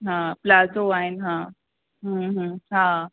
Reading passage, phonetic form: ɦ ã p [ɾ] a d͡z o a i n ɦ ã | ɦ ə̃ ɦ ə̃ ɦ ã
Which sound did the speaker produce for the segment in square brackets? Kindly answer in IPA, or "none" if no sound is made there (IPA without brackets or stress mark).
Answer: l